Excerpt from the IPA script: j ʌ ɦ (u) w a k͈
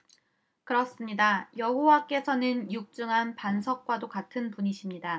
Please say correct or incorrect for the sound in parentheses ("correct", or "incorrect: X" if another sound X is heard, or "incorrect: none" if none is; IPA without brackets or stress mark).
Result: incorrect: o